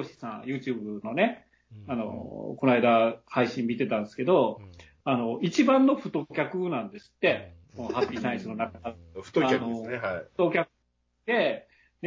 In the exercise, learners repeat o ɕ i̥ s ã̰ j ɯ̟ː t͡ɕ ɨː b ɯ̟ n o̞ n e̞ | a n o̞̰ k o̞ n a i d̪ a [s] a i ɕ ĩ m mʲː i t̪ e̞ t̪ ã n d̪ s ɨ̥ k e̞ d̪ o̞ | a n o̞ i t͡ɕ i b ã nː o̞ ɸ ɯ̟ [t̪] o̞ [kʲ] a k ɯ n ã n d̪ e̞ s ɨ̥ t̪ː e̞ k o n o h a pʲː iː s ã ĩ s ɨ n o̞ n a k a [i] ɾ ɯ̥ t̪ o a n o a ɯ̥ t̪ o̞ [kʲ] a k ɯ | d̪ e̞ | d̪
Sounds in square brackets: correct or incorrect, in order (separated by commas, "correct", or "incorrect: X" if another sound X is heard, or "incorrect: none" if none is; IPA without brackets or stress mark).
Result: incorrect: h, correct, correct, incorrect: a, correct